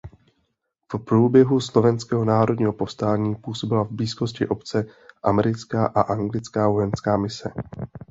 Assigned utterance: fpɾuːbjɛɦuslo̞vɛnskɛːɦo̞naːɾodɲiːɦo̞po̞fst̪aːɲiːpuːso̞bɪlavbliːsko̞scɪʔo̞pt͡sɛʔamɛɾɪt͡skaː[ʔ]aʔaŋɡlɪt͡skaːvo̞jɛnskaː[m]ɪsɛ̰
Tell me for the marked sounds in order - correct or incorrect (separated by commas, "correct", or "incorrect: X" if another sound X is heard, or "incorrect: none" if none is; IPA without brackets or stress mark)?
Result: correct, correct